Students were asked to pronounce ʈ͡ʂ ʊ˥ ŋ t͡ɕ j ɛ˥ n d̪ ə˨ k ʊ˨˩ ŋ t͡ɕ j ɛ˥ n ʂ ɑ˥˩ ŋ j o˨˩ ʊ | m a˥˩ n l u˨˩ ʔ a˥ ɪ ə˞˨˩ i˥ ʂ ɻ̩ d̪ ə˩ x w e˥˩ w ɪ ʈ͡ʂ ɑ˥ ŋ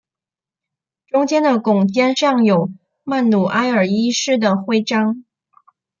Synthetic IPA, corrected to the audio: ʈ͡ʂ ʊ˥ ŋ t͡ɕ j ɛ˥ n d̪ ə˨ k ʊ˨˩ ŋ t͡ɕ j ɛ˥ n ʂ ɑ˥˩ ŋ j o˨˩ ʊ | m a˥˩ n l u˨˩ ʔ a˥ ɪ ə˞˨˩ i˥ ʂ ɻ̩ d̪ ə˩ x w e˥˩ ɪ ʈ͡ʂ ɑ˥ ŋ